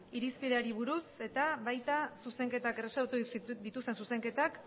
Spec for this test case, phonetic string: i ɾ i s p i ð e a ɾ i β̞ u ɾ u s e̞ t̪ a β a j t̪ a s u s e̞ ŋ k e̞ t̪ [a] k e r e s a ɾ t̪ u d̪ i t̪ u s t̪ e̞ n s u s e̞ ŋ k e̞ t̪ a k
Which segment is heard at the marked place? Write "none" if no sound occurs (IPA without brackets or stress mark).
a